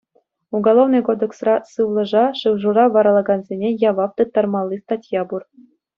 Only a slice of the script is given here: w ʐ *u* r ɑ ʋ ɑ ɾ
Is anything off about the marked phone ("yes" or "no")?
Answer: no